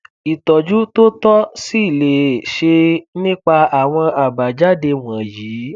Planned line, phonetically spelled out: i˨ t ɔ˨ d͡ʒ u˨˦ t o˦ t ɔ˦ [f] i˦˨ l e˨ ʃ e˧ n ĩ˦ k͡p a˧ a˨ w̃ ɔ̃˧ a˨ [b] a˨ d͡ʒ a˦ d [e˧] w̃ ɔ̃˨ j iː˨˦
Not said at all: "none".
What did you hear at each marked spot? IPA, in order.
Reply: s, b, e˧

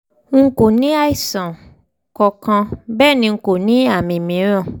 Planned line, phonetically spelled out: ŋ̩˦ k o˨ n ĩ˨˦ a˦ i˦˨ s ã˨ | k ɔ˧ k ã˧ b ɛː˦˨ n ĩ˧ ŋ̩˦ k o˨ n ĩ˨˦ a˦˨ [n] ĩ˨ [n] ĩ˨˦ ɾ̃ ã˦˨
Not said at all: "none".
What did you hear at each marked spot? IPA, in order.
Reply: m, m

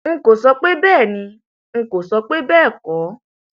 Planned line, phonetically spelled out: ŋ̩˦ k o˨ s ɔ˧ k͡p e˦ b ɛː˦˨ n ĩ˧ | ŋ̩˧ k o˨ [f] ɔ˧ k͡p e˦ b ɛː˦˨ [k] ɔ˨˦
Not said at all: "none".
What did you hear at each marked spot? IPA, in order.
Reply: s, k

